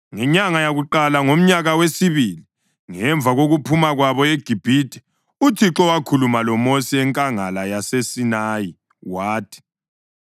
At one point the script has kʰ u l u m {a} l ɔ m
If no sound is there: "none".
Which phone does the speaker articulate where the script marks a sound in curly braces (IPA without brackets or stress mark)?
a